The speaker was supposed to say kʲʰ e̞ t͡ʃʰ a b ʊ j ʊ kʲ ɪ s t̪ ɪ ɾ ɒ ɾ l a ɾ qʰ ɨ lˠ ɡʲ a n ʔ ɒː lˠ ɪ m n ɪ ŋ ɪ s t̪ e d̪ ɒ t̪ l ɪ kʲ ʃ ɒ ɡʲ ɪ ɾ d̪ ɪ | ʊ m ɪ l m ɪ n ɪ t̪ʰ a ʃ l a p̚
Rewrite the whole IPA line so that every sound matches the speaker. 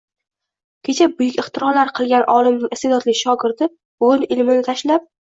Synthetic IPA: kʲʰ e̞ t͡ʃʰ a b ʊ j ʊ kʲ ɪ χ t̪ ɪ ɾ ɒ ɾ l a ɾ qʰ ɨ lˠ ɡʲ a n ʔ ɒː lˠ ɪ m n ɪ ŋ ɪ s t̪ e d̪ ɒ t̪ l ɪ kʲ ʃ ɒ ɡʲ ɪ ɾ d̪ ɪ | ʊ n ɪ l m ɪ n ɪ t̪ʰ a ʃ l a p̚